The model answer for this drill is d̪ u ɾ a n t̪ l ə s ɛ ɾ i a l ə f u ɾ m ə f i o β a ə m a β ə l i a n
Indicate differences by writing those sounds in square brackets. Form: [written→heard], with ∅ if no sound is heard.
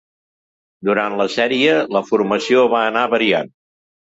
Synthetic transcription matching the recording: d̪ u ɾ a n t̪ l ə s ɛ ɾ i [a→ə] l ə f u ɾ m ə [f→s] i o β a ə [m→n] a β ə [l→ɾ] i a n